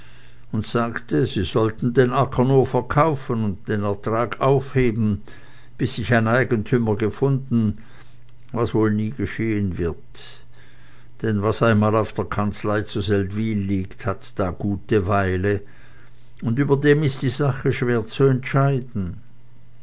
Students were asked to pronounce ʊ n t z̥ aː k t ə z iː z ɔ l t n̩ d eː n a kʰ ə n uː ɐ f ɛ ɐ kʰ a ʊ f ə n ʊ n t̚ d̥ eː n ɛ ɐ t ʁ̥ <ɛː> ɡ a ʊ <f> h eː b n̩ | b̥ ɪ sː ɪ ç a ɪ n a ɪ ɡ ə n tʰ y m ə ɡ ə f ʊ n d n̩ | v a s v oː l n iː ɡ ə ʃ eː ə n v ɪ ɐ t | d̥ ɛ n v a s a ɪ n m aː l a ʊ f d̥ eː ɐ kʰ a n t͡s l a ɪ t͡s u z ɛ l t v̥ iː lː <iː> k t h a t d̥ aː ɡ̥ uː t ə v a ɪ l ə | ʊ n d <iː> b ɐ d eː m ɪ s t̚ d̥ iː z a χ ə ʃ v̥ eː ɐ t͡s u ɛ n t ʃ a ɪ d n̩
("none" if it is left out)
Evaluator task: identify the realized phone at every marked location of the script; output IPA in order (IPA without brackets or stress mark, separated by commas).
aː, f, iː, yː